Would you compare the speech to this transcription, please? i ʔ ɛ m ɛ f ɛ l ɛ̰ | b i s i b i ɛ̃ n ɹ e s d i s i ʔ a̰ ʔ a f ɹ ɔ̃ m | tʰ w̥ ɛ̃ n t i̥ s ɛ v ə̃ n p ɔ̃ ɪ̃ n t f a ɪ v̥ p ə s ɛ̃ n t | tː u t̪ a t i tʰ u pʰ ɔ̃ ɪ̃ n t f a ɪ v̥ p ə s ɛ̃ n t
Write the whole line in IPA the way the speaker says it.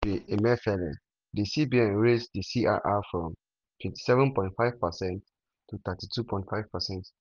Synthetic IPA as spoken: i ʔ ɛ m ɛ f ɛ l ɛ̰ | d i s i b i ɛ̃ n ɹ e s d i s i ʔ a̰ ʔ a f ɹ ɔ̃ m | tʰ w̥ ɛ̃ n t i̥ s ɛ v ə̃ n p ɔ̃ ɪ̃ n t f a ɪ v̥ p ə s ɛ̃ n t | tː u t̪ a t i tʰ u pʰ ɔ̃ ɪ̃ n t f a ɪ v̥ p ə s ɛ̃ n t